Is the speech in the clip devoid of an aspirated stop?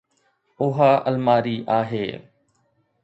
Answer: yes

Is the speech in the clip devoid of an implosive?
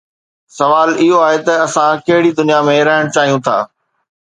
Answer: yes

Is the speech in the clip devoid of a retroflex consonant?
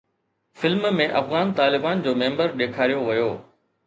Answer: yes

